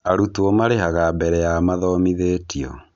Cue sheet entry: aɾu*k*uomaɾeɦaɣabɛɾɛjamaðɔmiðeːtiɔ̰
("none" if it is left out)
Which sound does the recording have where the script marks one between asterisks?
t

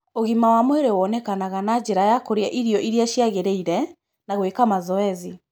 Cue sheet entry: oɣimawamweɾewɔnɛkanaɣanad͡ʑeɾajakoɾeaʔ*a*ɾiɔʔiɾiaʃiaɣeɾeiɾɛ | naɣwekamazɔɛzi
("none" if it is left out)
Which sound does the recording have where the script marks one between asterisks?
i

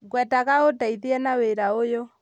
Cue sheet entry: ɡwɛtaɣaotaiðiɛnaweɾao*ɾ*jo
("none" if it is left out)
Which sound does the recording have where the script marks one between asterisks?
none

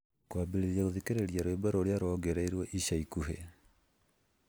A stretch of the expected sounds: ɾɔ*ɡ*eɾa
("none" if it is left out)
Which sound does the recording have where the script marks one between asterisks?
ɡ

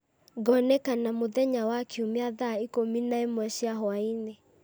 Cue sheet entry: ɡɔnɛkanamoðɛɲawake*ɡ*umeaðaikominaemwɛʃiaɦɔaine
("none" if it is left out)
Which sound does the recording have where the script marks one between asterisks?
none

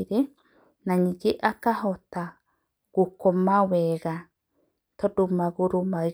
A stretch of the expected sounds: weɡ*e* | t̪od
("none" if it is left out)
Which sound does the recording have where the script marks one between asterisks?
a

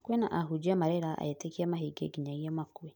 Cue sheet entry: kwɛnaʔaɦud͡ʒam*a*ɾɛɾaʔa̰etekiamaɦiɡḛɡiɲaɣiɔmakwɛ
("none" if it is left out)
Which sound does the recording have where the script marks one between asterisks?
a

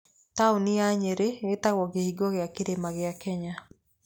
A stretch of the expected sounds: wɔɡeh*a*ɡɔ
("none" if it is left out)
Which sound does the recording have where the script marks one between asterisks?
i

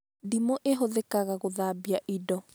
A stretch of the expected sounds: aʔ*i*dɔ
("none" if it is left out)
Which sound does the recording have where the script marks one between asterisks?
i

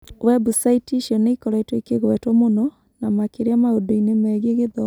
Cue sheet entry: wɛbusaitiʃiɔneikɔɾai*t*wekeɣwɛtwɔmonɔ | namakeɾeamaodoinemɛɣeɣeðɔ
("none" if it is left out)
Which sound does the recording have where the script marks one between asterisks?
t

